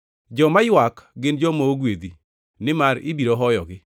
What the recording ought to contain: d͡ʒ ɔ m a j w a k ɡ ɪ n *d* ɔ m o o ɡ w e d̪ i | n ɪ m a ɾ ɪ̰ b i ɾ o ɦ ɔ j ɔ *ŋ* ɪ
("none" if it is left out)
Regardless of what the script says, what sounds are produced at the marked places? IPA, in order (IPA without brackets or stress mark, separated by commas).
d͡ʒ, ɡ